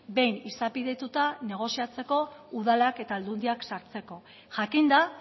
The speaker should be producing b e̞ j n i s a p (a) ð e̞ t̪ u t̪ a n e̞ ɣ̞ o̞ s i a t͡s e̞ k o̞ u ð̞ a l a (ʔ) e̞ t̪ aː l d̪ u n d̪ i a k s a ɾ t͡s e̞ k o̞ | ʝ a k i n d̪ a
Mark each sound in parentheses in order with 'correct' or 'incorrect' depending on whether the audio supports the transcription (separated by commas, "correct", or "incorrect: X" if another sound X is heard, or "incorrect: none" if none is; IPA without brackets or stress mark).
incorrect: i, incorrect: k